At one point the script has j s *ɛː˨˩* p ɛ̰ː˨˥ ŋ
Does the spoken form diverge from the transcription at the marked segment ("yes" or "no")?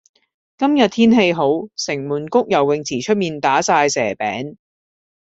no